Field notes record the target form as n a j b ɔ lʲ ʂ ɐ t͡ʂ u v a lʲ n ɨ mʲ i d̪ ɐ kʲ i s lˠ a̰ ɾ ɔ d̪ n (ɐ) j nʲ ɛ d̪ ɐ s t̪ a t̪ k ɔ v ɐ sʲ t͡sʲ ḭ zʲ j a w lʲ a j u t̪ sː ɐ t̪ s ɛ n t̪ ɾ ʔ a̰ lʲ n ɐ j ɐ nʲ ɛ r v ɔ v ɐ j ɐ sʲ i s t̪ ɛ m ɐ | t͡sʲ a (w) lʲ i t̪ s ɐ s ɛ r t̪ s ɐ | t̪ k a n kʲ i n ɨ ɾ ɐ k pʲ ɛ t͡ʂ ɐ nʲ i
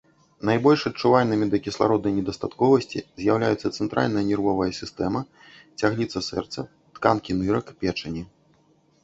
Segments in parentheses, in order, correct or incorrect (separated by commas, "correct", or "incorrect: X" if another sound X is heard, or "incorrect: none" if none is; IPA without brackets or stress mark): correct, incorrect: ɣ